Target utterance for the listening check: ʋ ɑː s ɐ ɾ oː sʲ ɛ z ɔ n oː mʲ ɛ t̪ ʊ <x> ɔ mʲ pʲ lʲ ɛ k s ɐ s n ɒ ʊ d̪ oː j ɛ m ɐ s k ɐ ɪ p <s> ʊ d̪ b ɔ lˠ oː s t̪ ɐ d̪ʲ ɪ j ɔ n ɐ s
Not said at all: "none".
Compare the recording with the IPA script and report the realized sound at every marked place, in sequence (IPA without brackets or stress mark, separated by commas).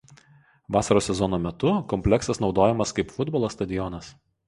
k, f